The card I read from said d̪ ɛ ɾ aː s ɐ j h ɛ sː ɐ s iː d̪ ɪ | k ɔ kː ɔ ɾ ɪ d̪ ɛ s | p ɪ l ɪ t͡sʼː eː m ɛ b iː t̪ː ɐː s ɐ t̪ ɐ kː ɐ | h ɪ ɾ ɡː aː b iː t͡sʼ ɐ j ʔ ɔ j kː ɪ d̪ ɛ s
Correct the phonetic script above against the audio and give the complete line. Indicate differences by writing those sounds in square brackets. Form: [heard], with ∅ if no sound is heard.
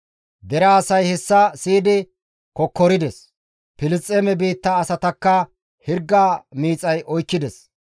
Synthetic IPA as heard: d̪ ɛ ɾ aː s ɐ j h ɛ sː ɐ s iː d̪ ɪ | k ɔ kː ɔ ɾ ɪ d̪ ɛ s | p ɪ l ɪ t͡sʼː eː m ɛ b iː t̪ː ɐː s ɐ t̪ ɐ kː ɐ | h ɪ ɾ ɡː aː [m] iː t͡sʼ ɐ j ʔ ɔ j kː ɪ d̪ ɛ s